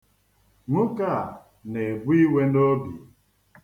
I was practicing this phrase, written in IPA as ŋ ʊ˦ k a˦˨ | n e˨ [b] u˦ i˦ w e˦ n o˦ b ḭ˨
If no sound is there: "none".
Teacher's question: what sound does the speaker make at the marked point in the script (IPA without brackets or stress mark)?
b